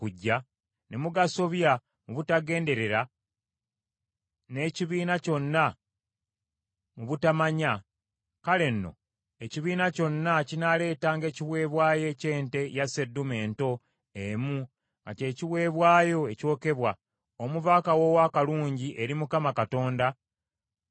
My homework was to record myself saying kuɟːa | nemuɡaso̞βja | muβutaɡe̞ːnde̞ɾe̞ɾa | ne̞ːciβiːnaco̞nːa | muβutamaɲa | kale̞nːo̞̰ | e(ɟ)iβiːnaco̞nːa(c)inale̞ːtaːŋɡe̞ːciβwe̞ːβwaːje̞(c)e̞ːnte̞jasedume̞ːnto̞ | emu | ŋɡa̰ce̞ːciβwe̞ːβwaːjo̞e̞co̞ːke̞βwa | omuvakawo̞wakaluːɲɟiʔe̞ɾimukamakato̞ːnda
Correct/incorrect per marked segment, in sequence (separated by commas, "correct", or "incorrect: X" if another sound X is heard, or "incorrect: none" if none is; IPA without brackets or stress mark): incorrect: c, correct, correct